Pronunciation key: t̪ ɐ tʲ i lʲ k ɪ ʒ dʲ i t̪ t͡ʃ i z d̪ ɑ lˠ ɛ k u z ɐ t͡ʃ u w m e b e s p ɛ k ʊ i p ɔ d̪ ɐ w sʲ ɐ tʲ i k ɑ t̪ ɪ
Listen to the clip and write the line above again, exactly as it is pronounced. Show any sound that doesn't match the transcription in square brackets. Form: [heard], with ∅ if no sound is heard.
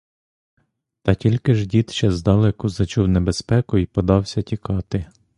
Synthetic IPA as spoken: t̪ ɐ tʲ i lʲ k ɪ ʒ dʲ i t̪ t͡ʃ [ɛ] z d̪ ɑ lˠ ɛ k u z ɐ t͡ʃ u w [n] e b e s p ɛ k ʊ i p ɔ d̪ [ɑ] w sʲ ɐ tʲ i k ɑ t̪ ɪ